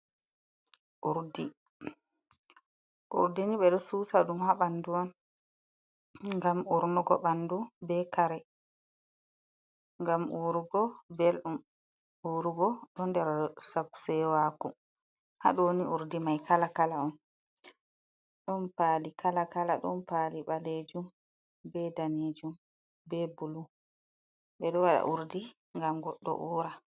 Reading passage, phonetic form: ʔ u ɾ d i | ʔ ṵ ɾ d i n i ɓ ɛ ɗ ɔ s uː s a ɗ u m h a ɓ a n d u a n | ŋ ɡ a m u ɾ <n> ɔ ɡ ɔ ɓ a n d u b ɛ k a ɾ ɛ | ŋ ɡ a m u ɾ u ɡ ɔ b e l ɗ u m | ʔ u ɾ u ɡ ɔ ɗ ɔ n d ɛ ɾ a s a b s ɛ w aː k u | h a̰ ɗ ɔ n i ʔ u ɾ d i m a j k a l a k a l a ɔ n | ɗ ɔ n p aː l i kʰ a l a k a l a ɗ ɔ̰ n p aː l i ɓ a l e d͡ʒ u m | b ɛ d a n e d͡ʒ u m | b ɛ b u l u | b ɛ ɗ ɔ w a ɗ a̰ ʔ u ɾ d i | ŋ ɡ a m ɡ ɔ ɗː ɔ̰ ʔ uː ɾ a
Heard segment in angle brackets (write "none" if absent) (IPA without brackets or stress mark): n